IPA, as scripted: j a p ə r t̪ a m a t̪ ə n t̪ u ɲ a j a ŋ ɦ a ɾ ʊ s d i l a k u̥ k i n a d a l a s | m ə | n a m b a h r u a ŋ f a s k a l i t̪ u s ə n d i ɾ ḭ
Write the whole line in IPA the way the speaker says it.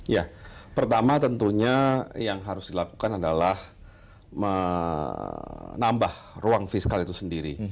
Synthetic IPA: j a p ə r t̪ a m a t̪ ə n t̪ u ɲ a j a ŋ ɦ a ɾ ʊ s d i l a k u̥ k a n a d a l a h | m ə | n a m b a h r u a ŋ f i s k a l i t̪ u s ə n d i ɾ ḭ